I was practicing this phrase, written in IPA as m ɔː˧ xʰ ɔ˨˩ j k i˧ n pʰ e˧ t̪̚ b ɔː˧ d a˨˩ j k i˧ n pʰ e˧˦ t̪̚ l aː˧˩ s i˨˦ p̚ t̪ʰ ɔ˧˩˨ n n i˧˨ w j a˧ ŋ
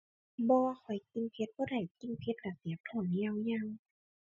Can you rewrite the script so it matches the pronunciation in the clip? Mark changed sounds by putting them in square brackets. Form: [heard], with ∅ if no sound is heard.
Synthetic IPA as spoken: [b] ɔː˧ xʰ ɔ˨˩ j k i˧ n pʰ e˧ t̪̚ b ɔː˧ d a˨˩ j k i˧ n pʰ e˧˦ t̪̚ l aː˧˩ s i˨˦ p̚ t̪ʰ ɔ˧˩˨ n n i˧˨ w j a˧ ŋ

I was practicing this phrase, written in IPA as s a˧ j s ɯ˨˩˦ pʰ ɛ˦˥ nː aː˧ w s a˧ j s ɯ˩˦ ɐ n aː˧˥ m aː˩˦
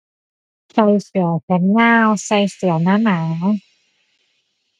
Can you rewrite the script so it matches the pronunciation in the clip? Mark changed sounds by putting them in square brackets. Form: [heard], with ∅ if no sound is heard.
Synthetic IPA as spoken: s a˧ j s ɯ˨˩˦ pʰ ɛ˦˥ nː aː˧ w s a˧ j s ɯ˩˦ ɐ n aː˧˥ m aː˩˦

